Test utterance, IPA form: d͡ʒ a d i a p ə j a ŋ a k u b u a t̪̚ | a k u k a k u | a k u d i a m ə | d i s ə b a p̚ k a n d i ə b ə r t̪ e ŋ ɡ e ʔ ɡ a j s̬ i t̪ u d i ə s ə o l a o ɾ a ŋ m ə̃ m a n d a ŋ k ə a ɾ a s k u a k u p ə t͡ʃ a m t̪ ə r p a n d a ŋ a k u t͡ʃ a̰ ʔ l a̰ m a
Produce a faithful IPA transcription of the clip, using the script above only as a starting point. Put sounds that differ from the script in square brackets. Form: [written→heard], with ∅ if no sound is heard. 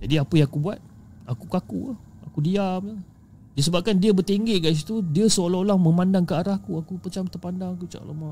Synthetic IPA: d͡ʒ a d i a p ə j a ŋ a k u b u a t̪̚ | a k u k a k u | a k u d i a m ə | d i s ə b a p̚ k a n d i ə b ə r t̪ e ŋ ɡ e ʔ ɡ a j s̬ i t̪ u d i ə s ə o l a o [ɾ→l] a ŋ m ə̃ m a n d a ŋ k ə a ɾ a [s→h] k u a k u p ə t͡ʃ a m t̪ ə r p a n d a ŋ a k u t͡ʃ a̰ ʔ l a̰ m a